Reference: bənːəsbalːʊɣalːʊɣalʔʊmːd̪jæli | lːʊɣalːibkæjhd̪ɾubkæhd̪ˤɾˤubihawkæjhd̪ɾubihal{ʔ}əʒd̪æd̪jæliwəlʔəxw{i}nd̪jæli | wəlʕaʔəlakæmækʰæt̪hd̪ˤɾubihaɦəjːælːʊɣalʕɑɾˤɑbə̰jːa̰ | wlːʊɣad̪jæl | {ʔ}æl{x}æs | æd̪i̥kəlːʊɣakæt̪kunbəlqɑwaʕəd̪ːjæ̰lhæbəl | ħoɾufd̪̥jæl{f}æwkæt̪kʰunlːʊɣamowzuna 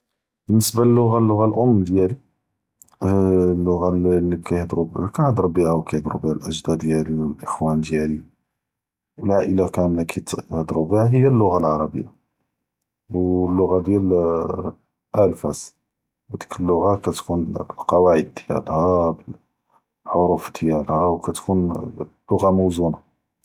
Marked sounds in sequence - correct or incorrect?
correct, incorrect: æ, correct, incorrect: f, incorrect: h

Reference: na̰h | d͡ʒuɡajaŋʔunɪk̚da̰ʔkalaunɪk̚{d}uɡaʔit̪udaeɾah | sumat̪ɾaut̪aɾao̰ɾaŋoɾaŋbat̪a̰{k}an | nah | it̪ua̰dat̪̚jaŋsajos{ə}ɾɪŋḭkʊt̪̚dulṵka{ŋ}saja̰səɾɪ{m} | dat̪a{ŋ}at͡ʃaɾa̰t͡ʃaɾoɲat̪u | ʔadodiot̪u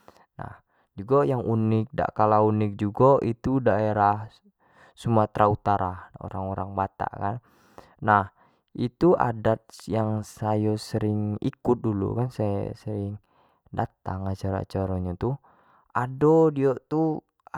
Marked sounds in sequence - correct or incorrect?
incorrect: d͡ʒ, correct, correct, incorrect: n, incorrect: ŋ, correct

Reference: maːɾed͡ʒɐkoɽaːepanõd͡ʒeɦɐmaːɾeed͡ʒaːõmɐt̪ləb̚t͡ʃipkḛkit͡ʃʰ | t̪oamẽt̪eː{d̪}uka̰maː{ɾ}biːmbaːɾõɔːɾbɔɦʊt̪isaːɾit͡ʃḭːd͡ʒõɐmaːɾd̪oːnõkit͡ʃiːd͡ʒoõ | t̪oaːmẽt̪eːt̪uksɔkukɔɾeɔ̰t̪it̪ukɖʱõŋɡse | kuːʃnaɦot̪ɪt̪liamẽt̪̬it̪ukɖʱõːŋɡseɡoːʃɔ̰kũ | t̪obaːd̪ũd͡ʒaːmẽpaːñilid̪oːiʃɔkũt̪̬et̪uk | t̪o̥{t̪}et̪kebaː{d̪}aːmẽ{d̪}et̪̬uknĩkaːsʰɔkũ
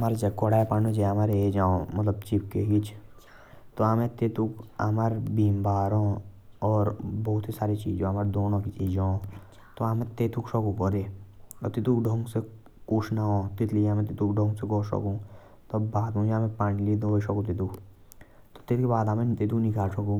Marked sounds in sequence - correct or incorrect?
incorrect: t̪, correct, correct, correct, incorrect: t̪

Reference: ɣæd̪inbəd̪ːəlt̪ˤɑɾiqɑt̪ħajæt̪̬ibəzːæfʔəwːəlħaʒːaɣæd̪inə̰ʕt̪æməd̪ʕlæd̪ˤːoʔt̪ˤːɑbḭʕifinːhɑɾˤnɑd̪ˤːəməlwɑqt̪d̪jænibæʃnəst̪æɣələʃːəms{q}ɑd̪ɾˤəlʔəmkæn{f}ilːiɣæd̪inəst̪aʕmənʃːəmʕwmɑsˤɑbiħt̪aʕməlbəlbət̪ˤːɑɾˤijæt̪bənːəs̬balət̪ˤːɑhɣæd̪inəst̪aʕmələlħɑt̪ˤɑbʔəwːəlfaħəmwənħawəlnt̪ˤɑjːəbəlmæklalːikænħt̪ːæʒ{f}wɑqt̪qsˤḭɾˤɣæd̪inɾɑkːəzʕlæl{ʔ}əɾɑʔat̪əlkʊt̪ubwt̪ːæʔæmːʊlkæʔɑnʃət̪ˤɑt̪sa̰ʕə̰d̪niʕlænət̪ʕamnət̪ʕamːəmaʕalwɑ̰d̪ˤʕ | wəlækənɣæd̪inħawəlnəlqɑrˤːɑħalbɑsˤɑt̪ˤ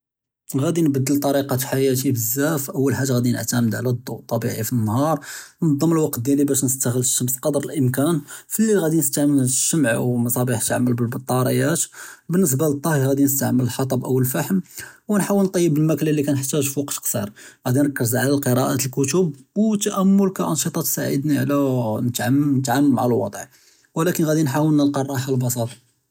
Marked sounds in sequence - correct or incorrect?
correct, correct, correct, incorrect: q

